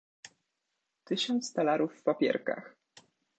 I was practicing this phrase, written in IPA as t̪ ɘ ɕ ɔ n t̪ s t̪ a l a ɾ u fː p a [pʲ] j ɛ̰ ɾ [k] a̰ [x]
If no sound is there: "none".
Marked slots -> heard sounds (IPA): pʲ, k, x

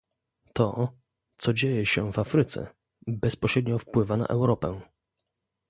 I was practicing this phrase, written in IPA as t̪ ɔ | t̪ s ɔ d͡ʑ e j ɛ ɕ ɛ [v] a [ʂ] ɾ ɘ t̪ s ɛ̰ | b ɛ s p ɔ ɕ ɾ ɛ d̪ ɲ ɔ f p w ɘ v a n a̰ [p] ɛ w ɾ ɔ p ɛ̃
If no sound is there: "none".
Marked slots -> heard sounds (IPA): v, f, ʔ

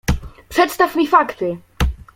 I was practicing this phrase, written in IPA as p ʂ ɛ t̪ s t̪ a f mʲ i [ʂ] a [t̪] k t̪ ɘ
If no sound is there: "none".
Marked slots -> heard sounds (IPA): f, none

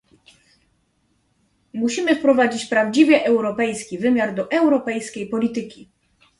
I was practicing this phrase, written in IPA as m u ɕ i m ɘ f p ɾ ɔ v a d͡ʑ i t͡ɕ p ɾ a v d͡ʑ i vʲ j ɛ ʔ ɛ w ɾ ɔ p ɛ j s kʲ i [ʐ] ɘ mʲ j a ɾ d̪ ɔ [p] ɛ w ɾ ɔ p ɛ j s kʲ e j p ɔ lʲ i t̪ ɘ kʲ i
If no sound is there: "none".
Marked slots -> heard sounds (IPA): v, ʔ

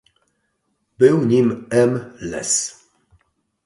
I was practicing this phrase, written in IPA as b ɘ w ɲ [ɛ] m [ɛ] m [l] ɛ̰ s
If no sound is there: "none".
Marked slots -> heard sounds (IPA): i, ɛ, l

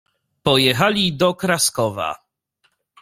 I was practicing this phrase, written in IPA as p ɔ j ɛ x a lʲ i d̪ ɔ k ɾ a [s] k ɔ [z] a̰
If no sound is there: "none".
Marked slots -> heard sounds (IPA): s, v

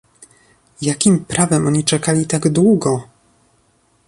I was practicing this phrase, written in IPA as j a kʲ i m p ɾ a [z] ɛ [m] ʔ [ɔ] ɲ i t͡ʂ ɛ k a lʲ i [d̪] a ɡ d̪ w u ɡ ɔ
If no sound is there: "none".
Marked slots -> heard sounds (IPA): v, m, ɔ, t̪

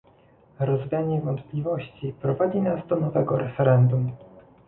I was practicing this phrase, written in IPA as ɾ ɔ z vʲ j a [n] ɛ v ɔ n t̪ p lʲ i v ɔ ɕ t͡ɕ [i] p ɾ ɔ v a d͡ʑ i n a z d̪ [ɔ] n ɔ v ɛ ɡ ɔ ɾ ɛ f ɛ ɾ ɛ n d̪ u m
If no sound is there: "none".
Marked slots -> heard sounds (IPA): ɲ, i, ɔ

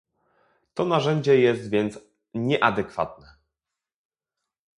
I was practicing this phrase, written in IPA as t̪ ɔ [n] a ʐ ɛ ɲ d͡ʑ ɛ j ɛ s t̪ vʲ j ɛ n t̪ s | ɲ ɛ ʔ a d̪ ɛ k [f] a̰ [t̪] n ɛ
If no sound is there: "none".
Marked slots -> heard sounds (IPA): n, f, t̪

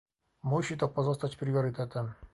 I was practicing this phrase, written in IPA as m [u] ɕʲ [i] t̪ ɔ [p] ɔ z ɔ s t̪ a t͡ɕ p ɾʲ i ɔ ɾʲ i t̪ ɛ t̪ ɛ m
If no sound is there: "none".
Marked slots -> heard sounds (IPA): u, i, p

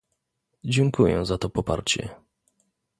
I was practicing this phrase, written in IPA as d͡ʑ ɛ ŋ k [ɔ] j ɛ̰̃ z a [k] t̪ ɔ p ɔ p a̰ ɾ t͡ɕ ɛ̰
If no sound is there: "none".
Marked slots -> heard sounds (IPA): u, none

